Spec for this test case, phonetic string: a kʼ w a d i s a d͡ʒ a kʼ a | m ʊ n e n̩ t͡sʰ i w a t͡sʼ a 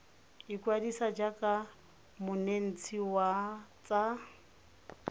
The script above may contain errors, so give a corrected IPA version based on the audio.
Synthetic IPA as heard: i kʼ w a d i s a d͡ʒ a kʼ a | m ʊ n e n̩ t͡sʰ i w a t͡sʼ a